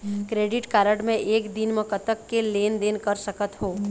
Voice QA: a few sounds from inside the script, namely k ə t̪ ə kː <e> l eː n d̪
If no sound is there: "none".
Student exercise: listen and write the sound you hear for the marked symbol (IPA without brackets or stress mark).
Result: e